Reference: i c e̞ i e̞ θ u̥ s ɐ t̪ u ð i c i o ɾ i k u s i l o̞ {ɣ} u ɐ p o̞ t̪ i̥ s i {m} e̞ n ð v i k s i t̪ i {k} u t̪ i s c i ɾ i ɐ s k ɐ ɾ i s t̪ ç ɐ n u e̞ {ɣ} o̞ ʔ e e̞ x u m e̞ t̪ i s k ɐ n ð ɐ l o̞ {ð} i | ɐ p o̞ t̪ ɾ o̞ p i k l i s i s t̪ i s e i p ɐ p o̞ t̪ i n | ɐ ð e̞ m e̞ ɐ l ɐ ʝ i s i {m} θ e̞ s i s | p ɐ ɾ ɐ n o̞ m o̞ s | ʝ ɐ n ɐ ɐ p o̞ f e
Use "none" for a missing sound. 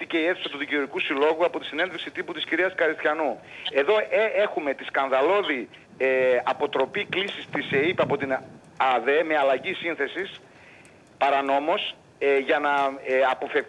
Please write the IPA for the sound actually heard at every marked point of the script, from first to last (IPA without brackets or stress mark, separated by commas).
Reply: ɣ, n, p, ð, ð, n